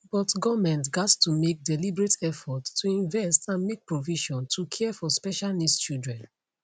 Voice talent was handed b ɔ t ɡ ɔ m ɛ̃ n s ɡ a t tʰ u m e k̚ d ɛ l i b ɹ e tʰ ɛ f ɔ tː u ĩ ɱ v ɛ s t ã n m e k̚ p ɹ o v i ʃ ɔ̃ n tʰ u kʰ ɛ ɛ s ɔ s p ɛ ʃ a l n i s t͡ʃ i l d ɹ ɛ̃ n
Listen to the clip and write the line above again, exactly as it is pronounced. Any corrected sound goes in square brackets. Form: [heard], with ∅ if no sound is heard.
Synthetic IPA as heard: b ɔ t ɡ ɔ m ɛ̃ n [t] ɡ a t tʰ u m e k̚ d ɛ l i b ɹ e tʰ ɛ f ɔ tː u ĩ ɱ v ɛ s t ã n m e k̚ p ɹ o v i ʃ ɔ̃ n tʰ u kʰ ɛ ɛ [f] ɔ s p ɛ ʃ a l n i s t͡ʃ i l d ɹ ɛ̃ n

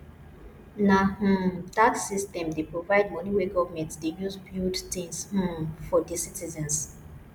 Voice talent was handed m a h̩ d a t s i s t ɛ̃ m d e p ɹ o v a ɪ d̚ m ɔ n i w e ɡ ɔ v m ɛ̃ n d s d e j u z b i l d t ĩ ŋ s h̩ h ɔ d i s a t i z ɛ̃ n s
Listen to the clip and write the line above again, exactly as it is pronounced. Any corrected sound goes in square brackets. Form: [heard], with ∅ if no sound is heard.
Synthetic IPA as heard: [n] a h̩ d a t s i s t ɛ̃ m d e p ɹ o v a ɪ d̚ m ɔ n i w e ɡ ɔ v m ɛ̃ n [t] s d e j u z b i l d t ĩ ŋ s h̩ [f] ɔ d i s [i] t i z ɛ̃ n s

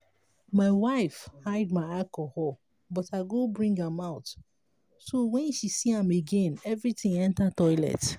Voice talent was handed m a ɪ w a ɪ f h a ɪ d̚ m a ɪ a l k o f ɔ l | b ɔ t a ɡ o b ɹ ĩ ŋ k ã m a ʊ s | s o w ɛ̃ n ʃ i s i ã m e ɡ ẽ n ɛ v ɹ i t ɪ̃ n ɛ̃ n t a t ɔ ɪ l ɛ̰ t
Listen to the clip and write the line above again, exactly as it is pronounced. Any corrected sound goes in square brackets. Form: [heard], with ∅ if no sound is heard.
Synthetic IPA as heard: m a ɪ w a ɪ f h a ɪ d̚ m a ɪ a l k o [h] ɔ l | b ɔ t a ɡ o b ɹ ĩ ŋ [ɡ] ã m a ʊ [t] | s o w ɛ̃ n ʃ i s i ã m e ɡ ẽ n ɛ v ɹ i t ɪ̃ [ŋ] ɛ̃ n t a t ɔ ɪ l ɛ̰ t

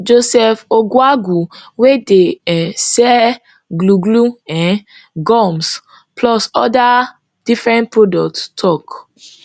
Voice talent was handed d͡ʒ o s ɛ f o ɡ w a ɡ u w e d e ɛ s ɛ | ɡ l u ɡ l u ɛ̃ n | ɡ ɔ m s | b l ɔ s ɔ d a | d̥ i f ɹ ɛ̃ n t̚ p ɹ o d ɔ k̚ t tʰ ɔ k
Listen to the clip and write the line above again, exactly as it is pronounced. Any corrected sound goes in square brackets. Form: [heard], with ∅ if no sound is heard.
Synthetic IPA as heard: d͡ʒ o s ɛ f o ɡ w a ɡ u w e d e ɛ s ɛ | ɡ l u ɡ l u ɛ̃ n | ɡ ɔ m s | [p] l ɔ s ɔ d a | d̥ i f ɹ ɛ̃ n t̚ p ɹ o d ɔ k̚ t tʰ ɔ k

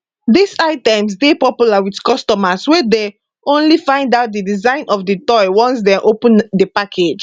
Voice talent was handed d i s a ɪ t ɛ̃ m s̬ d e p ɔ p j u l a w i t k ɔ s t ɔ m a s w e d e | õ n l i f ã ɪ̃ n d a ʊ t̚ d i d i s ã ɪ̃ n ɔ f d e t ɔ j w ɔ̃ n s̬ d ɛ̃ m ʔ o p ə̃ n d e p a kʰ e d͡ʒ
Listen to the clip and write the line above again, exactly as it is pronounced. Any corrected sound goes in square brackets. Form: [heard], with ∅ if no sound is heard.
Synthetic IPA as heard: d i s a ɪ t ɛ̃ m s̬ d e p ɔ p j u l a w i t k ɔ s t ɔ m a s w e d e | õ n l i f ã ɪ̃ n d a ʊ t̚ d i d i [z] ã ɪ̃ n ɔ f d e t ɔ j w ɔ̃ n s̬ d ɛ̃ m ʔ o p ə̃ n d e p a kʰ e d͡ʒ

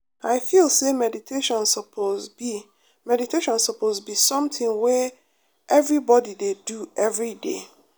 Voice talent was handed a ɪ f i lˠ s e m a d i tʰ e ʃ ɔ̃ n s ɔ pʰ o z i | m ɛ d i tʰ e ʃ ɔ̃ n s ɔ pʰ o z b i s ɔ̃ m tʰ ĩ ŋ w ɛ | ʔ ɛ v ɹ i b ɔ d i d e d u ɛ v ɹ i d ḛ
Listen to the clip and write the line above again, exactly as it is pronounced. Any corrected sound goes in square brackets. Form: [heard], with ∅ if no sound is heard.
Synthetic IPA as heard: a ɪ f i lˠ s e m [ɛ] d i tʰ e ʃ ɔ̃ n s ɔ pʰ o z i | m ɛ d i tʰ e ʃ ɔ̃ n s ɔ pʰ o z b i s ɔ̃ m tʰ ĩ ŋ w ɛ | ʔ ɛ v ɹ i b ɔ d i d e d u ɛ v ɹ i d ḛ

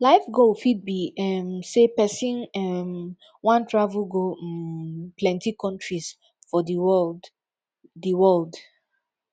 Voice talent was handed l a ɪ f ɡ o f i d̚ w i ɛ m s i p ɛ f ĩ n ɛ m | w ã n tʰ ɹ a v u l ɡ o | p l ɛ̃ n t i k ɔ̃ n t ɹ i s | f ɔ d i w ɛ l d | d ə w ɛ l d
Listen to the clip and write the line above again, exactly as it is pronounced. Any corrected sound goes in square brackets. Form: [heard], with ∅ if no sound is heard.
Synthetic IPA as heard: l a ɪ f ɡ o f i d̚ [b] i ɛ m s [e] p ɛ [s] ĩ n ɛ m | w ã n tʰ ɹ a v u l ɡ o | p l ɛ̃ n t i k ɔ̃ n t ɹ i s | f ɔ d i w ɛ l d | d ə w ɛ l d

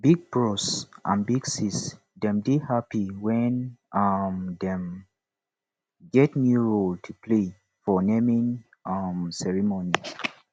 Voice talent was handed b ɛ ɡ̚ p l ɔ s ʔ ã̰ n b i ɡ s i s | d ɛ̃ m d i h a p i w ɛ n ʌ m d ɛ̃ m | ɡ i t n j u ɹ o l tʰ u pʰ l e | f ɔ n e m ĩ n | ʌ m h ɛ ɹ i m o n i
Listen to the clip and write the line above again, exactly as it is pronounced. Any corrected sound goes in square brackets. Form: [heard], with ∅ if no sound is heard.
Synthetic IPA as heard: b [i] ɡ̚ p [ɹ] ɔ s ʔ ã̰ n b i ɡ s i s | d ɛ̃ m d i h a p i w ɛ n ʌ m d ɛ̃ m | ɡ [ɛ] t n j u ɹ o l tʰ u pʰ l e | f ɔ n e m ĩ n | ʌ m [s] ɛ ɹ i m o n i

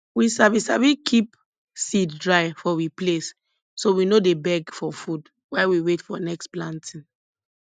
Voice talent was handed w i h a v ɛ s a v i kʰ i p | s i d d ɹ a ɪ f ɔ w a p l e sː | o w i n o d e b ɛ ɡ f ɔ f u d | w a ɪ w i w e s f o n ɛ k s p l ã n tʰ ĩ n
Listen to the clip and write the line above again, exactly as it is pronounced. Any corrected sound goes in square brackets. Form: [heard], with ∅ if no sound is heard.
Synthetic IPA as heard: w i [s] a v [i] s a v i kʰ i p | s i d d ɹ a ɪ f ɔ w [i] p l e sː | o w i n o d e b ɛ ɡ f ɔ f u d | w a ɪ w i w e [t] f [ɔ] n ɛ k s p l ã n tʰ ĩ n

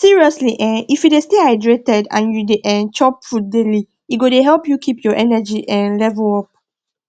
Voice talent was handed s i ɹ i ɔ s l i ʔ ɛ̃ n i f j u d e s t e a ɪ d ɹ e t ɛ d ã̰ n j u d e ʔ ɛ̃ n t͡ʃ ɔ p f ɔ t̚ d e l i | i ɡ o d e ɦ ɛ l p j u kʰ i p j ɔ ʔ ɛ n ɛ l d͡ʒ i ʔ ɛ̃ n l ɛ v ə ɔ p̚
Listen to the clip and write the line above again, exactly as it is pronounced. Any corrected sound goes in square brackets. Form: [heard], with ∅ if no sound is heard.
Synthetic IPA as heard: s i ɹ i ɔ s l i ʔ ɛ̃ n i f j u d e s t e a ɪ d ɹ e t ɛ d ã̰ n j u d e ʔ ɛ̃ n t͡ʃ ɔ p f [u] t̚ d e l i | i ɡ o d e ɦ ɛ l p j u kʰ i p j ɔ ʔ ɛ n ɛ [∅] d͡ʒ i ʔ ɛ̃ n l ɛ v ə ɔ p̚

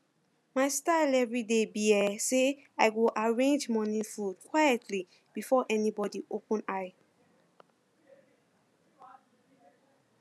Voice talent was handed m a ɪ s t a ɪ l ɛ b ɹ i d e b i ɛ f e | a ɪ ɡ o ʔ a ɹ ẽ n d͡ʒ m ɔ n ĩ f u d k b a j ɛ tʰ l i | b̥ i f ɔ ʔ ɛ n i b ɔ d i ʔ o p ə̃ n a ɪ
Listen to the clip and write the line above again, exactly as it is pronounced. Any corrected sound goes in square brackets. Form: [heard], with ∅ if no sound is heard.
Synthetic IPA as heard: m a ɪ s t a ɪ l ɛ [v] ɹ i d e b i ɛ [s] e | a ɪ ɡ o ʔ a ɹ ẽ n d͡ʒ m ɔ n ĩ f u d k [w] a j ɛ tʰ l i | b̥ i f ɔ ʔ ɛ n i b ɔ d i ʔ o p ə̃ n a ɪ

